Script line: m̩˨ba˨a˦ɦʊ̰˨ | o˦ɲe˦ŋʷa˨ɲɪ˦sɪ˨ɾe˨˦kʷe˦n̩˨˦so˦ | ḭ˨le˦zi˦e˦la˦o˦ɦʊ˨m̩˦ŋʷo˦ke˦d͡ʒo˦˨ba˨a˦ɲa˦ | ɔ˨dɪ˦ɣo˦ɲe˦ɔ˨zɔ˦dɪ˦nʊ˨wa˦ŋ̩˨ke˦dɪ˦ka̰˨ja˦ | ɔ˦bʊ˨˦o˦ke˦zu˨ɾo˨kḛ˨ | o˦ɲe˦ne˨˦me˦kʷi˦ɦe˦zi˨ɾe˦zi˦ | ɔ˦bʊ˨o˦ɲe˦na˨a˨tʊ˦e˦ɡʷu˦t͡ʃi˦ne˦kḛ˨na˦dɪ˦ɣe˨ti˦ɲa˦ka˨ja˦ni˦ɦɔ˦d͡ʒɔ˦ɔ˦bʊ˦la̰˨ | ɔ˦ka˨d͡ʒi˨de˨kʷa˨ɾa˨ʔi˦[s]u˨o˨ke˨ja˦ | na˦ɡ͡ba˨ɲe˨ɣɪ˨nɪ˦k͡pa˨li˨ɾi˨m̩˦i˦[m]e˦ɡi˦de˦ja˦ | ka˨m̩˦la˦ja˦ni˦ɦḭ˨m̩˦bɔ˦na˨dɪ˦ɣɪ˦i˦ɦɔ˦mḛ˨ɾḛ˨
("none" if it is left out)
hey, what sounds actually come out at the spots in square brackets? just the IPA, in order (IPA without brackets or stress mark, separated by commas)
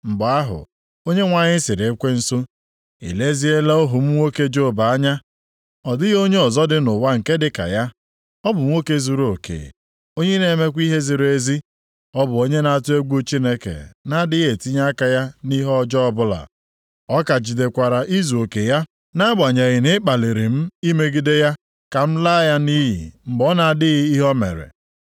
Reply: z, m